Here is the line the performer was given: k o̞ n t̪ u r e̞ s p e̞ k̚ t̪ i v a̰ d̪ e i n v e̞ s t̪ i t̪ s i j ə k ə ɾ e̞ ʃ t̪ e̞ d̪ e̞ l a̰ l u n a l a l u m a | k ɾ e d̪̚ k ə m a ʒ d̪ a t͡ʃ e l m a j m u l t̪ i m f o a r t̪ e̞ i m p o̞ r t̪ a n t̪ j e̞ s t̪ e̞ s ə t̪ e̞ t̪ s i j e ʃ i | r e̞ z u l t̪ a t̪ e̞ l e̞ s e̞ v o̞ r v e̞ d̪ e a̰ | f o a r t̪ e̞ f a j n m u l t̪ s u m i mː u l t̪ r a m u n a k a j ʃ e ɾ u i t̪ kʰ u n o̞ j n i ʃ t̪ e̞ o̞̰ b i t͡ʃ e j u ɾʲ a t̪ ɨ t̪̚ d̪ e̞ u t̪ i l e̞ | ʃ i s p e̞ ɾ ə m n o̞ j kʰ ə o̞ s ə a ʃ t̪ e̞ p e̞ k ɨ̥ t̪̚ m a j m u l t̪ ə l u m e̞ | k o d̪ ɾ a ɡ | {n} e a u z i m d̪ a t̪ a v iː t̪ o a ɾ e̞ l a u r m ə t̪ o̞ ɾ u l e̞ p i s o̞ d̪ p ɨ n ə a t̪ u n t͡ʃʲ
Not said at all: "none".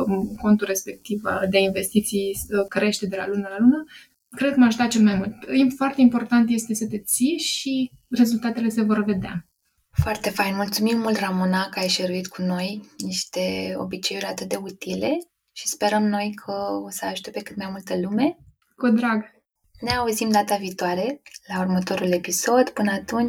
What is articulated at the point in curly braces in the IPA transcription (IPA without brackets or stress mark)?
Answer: n